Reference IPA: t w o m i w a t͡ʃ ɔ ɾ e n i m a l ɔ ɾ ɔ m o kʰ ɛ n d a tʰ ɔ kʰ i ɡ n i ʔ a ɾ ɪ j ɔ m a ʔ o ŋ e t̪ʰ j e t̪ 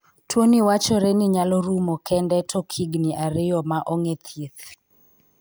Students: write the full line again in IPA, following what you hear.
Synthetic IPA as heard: t w o n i w a t͡ʃ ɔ ɾ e n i ɲ a l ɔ ɾ u m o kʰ ɛ n d ɛ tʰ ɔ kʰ i ɡ n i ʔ a ɾ ɪ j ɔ m a ʔ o ŋ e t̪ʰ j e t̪